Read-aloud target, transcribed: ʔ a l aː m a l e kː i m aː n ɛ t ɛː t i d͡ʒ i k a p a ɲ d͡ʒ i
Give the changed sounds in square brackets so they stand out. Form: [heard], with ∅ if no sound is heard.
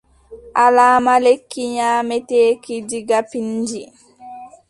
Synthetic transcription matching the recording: ʔ a l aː m a l e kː i [ɲ] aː [m] ɛ t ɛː [k] i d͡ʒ i [ɡ] a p [i] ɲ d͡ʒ i